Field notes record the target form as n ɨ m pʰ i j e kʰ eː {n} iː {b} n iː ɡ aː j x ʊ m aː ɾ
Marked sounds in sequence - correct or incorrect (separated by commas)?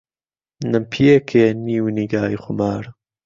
correct, incorrect